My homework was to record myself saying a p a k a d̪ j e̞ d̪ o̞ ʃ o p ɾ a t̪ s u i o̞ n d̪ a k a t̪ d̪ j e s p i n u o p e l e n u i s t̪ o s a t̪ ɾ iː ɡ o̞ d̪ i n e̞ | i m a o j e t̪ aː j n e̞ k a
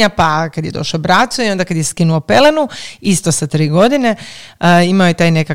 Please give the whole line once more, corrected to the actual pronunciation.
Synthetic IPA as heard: a p a k a d̪ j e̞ d̪ o̞ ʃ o b ɾ a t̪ s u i o̞ n d̪ a k a d̪ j e s k i n u o p e l e n u i s t̪ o s a t̪ ɾ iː ɡ o̞ d̪ i n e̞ | i m a o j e t̪ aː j n e̞ k a